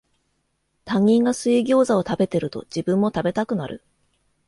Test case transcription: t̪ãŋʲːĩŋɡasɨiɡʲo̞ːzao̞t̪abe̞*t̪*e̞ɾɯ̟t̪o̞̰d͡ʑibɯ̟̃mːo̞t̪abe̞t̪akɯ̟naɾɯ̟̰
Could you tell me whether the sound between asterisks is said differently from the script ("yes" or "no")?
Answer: no